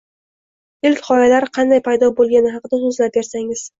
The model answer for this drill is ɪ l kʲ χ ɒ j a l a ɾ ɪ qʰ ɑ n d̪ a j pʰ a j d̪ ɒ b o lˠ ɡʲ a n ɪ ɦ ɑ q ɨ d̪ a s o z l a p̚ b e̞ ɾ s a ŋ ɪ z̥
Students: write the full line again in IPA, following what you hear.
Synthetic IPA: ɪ l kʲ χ ɒ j a l a ɾ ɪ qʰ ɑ n d̪ a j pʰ a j d̪ ɒ b o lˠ ɡʲ a n ɪ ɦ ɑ q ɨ d̪ a s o z l a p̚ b e̞ ɾ s a ŋ ɪ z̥